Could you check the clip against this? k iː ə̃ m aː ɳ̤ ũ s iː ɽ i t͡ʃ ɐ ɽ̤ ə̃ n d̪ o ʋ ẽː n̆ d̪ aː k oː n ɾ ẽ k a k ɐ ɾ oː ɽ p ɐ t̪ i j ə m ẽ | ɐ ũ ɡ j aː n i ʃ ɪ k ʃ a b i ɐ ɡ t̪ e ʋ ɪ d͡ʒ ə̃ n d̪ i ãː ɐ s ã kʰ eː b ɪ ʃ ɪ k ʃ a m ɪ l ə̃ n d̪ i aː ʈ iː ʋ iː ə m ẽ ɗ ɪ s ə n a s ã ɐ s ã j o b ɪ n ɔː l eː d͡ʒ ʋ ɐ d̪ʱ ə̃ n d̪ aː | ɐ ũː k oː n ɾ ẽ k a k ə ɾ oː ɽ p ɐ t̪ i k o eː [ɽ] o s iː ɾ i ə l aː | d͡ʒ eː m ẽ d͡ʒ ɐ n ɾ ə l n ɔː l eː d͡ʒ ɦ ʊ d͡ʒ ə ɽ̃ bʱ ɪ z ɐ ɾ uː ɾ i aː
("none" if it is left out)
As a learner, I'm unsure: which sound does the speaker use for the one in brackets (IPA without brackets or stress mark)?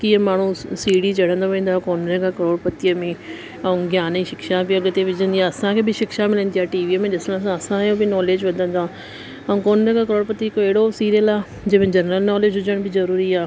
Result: ɽ